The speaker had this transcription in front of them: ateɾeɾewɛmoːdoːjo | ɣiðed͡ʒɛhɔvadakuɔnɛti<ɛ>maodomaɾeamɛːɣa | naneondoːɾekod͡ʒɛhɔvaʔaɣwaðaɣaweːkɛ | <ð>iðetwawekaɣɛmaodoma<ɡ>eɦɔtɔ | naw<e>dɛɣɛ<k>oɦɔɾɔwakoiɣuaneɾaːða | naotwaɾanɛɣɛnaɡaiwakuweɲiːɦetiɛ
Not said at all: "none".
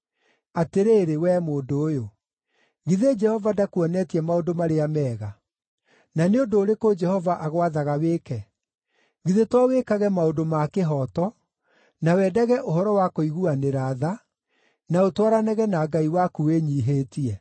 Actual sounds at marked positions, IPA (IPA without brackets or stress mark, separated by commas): ɛ, ɣ, k, ɛ, ʔ